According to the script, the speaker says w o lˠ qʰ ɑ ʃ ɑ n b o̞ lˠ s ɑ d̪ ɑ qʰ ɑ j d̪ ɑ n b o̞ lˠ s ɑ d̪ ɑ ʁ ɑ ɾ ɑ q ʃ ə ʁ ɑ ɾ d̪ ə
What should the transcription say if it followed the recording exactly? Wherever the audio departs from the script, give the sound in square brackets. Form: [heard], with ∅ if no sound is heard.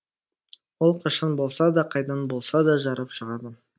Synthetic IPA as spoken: w o lˠ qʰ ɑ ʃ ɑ n b o̞ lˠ s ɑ d̪ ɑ qʰ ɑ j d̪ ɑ n b o̞ lˠ s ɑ d̪ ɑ [ʒ] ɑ ɾ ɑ [p] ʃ ə ʁ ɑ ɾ d̪ ə